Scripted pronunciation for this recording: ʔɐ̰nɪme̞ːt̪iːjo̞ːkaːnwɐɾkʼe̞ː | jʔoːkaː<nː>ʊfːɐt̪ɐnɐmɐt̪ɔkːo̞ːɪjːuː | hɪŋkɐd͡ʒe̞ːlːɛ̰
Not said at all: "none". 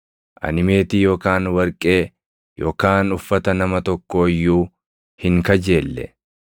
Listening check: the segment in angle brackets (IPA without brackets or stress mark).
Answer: n